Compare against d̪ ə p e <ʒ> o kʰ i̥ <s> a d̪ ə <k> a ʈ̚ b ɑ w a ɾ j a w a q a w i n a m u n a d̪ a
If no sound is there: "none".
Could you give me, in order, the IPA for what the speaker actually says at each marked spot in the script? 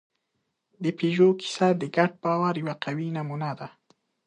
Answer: ʒ, s, ɡ

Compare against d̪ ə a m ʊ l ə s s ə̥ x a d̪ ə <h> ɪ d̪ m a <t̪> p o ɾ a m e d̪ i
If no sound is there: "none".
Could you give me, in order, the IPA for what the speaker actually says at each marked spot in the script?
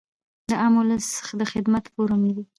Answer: x, t̪

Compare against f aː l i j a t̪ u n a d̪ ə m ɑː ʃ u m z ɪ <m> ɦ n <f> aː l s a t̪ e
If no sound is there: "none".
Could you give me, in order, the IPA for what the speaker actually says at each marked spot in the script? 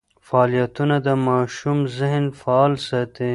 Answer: none, f

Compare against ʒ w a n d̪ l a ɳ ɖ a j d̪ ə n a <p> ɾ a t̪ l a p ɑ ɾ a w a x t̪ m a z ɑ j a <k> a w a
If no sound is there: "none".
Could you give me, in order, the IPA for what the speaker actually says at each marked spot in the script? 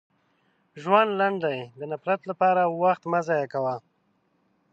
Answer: p, k

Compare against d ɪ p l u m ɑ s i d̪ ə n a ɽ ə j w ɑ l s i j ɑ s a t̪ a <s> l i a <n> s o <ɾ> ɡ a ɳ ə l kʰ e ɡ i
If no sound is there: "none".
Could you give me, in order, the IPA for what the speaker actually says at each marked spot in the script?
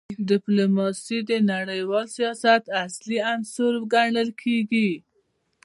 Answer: s, n, ɾ

